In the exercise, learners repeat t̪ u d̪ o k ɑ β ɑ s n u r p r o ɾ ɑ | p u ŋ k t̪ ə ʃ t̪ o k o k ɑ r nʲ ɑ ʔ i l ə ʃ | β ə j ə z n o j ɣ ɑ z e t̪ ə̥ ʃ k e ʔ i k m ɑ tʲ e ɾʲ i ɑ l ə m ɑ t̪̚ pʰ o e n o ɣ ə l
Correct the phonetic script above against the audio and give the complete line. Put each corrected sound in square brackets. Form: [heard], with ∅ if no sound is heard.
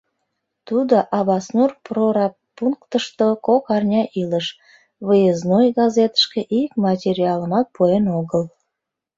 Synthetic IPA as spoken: t̪ u d̪ o [ʔ] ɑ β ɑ s n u r p r o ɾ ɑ | p u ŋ k t̪ ə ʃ t̪ o k o k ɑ r nʲ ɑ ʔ i l ə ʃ | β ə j ə z n o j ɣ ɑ z e t̪ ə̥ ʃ k e ʔ i k m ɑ tʲ e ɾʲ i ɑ l ə m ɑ t̪̚ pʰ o e n o ɣ ə l